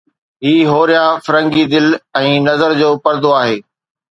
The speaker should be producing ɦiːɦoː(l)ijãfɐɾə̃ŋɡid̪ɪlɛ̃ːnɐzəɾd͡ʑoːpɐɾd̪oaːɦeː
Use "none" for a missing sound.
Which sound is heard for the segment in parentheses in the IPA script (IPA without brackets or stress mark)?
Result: ɾ